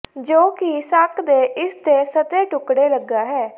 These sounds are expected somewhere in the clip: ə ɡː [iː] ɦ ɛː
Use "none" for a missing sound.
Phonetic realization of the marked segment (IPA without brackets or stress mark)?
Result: aː